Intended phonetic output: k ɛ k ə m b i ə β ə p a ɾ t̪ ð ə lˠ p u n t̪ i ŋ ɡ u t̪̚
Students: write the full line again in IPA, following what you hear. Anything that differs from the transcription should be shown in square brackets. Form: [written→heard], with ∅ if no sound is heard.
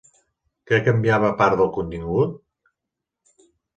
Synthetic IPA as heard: k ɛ k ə m b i [ə→a] β ə p a ɾ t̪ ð ə lˠ [p→k] u n t̪ i ŋ ɡ u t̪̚